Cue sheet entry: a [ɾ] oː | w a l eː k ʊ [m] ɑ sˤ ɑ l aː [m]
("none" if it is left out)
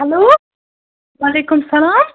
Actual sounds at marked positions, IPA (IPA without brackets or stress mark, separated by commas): l, m, m